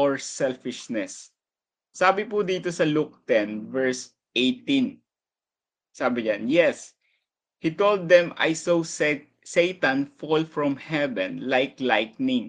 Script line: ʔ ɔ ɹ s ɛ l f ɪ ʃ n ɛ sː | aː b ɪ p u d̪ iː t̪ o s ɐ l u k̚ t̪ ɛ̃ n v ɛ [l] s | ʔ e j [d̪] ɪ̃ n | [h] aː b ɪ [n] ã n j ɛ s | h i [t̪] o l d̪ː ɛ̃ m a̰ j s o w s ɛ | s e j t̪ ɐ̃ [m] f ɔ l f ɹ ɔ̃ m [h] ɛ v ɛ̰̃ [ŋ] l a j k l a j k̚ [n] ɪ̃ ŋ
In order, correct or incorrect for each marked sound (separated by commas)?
incorrect, incorrect, incorrect, incorrect, correct, incorrect, correct, incorrect, correct